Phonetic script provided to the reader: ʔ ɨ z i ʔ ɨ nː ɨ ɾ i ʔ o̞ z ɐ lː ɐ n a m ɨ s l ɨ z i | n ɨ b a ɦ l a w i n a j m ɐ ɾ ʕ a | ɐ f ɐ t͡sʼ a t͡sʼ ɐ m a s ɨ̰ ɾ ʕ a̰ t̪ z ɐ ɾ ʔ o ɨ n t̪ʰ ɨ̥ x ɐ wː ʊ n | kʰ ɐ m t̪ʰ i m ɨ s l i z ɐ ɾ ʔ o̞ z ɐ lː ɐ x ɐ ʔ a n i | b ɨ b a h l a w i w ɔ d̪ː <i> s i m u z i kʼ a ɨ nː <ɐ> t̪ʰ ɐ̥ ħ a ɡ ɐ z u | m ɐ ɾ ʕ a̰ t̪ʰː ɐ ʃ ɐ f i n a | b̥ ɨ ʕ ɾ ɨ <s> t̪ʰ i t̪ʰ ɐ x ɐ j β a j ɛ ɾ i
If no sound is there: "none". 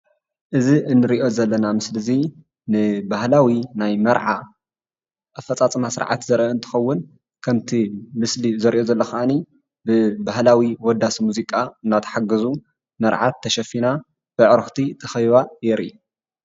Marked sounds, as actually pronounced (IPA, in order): a, a, x

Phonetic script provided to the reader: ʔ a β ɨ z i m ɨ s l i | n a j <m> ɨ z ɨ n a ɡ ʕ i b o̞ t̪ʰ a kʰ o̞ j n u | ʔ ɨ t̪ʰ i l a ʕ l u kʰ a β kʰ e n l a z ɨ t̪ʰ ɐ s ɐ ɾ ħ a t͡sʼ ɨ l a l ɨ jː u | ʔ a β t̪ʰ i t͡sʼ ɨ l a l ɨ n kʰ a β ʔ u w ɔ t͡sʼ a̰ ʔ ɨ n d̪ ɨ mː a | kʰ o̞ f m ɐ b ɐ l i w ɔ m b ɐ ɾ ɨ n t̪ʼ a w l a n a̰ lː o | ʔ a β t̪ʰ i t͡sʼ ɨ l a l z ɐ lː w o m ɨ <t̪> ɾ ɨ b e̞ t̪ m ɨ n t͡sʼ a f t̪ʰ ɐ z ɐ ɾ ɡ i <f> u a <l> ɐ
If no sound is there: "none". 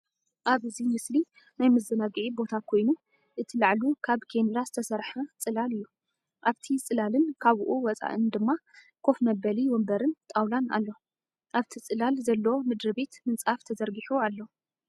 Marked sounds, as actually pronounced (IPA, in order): m, d̪, ħ, lː

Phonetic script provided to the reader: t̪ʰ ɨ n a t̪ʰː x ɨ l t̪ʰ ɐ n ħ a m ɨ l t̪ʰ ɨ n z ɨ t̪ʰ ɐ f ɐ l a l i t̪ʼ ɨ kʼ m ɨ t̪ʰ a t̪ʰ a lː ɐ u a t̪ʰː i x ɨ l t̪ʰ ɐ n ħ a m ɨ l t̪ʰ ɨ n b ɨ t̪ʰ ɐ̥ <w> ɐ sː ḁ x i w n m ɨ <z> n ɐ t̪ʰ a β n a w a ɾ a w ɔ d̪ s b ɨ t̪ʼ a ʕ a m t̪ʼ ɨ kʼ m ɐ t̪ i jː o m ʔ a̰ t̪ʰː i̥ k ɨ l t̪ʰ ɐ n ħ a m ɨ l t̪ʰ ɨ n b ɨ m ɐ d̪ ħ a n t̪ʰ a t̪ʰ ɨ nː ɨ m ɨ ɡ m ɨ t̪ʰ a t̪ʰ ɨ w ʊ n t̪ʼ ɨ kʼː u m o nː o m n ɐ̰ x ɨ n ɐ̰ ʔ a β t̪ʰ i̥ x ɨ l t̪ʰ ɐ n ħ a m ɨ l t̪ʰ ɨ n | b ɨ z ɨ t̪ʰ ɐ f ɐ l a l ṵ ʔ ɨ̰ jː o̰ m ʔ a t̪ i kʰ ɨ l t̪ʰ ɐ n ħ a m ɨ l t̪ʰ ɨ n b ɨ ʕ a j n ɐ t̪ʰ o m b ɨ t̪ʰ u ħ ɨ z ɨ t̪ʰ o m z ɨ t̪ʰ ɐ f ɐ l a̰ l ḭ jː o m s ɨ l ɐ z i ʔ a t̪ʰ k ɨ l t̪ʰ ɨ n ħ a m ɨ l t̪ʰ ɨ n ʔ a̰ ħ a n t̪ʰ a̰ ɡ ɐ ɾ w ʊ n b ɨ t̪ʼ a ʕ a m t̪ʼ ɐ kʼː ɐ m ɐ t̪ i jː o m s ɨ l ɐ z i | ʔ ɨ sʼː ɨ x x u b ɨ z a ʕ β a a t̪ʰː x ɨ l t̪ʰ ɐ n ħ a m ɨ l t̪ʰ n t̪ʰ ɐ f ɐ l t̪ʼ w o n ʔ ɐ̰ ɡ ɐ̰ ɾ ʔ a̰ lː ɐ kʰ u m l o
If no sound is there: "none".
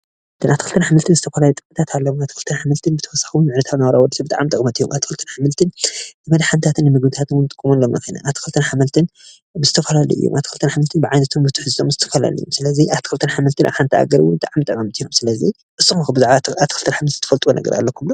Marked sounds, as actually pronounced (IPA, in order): w, ʕ

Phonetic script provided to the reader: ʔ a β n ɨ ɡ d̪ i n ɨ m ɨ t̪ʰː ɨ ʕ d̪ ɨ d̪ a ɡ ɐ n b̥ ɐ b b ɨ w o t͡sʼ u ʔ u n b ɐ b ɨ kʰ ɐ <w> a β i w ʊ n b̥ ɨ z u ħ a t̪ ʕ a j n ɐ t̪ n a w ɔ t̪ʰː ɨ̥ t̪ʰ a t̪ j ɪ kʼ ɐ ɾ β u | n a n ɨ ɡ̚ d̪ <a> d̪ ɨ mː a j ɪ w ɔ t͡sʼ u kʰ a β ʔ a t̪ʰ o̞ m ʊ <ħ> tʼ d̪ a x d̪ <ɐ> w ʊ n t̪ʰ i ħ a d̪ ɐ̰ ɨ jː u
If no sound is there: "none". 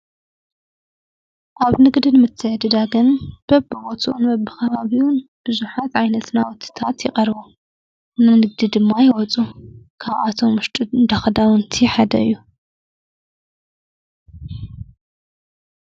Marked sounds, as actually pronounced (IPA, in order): β, i, ʃ, a

